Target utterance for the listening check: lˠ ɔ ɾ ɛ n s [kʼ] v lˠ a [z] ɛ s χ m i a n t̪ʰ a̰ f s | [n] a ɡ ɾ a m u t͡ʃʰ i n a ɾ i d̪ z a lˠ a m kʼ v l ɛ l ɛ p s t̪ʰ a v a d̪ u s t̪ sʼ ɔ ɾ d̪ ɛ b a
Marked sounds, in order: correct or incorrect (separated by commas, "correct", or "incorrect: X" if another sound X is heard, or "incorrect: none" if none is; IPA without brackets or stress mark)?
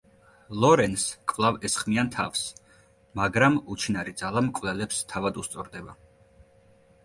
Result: correct, incorrect: v, incorrect: m